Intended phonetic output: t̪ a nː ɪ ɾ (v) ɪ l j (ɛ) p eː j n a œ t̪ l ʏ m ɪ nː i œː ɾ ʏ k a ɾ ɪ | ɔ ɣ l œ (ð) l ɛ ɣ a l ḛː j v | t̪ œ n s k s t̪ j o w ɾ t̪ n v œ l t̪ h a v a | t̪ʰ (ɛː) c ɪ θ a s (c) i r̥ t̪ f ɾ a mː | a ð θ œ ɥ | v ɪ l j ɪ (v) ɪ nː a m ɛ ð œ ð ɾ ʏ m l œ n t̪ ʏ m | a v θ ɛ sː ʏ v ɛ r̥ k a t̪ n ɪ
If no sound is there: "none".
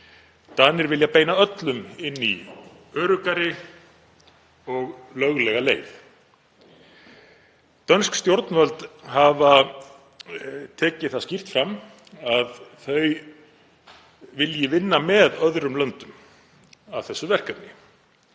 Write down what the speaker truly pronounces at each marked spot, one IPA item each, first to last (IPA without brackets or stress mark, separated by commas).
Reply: v, a, ɣ, ɛː, c, v